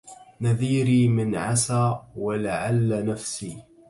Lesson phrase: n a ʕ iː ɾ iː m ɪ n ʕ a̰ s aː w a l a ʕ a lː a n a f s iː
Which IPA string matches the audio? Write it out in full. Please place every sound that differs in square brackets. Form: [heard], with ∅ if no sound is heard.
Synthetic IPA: n a [ð] iː ɾ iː m ɪ n ʕ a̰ s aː w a l a ʕ a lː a n a f s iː